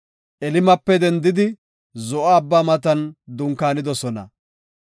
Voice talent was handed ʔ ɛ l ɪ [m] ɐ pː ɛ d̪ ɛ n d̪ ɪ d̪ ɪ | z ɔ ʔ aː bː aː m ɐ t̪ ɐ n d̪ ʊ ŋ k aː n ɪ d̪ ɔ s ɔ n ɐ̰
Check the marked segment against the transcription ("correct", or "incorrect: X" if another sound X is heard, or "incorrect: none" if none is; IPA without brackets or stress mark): correct